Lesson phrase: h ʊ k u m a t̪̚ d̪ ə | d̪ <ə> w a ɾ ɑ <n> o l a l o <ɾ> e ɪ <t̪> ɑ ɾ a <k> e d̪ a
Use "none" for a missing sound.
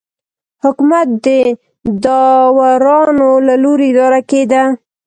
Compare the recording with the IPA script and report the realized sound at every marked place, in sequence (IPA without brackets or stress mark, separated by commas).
ɑ, n, ɾ, d̪, k